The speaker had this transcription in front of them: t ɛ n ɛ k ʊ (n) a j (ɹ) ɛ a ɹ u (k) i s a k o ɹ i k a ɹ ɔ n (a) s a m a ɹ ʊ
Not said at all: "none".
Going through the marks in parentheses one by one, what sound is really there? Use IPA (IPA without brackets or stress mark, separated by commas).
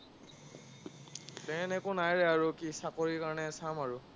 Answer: n, ɹ, k, ɛ